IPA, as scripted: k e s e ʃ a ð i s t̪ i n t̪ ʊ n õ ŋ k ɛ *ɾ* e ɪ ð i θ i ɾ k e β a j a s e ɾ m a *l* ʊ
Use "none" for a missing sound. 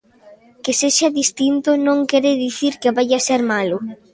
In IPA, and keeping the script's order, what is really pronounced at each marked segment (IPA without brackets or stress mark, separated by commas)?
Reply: ɾ, l